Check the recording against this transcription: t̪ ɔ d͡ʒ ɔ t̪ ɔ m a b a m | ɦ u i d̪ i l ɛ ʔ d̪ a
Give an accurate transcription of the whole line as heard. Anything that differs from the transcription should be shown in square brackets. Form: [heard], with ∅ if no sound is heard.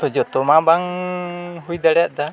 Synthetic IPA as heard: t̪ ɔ d͡ʒ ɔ t̪ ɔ m a b a [ŋ] | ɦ u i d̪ [a] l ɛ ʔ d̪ a